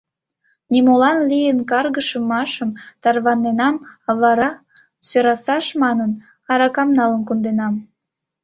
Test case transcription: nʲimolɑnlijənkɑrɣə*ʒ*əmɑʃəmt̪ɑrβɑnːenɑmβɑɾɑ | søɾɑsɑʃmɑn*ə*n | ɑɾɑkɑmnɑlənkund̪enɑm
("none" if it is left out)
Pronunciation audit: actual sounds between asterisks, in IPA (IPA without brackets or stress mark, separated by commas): ʃ, ə